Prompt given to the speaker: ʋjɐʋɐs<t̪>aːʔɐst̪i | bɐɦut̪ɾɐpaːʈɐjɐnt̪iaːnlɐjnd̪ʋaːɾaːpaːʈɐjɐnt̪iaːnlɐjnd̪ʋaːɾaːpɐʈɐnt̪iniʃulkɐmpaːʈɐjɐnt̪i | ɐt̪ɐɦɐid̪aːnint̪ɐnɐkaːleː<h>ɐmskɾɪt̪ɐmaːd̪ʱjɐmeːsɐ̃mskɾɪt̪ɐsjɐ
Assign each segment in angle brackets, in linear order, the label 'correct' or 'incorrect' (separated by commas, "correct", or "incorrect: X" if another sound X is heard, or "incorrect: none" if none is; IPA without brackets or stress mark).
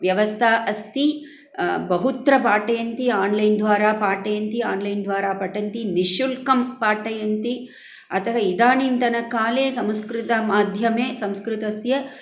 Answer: incorrect: t̪ʰ, incorrect: s